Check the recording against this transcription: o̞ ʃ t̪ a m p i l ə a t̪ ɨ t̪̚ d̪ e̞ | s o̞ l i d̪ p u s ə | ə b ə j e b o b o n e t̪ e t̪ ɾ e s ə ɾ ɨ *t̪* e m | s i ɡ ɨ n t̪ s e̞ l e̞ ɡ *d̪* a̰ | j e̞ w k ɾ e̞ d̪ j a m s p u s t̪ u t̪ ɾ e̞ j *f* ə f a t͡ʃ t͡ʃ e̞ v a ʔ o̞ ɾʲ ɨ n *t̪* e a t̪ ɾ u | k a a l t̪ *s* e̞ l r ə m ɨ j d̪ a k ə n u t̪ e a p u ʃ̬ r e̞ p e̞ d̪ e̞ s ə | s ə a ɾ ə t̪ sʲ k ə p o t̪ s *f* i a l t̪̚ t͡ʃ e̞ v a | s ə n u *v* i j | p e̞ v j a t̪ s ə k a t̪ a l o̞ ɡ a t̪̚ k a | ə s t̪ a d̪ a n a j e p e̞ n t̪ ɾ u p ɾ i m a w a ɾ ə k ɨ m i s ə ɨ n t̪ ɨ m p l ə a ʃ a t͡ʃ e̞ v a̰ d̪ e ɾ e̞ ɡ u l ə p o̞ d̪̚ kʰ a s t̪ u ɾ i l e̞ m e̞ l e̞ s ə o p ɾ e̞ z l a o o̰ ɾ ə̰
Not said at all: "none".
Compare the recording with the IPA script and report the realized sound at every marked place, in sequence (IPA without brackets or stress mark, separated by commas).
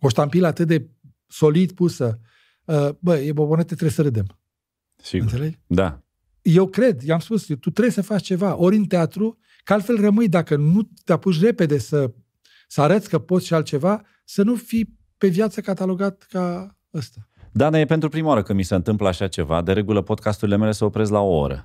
d̪, d̪, s, t̪, f, ʃ, f